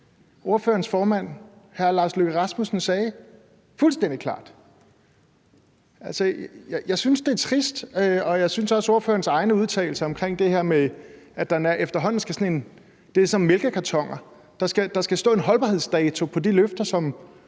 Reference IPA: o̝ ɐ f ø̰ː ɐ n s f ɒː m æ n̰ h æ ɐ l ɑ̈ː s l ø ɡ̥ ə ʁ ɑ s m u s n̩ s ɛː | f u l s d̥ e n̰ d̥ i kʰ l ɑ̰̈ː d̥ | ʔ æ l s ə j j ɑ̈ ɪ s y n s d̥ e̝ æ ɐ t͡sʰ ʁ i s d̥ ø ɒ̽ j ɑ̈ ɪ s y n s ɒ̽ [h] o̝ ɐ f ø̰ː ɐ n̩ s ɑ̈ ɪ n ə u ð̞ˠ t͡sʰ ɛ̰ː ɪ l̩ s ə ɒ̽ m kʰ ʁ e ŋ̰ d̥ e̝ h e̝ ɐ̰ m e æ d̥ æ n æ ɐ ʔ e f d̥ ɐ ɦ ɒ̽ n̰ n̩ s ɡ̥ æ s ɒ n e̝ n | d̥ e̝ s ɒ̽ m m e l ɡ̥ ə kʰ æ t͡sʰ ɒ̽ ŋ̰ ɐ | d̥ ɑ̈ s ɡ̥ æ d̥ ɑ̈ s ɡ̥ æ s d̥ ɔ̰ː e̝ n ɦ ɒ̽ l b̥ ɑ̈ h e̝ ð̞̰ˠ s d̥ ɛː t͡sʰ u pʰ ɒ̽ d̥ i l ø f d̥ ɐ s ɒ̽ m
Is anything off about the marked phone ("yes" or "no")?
yes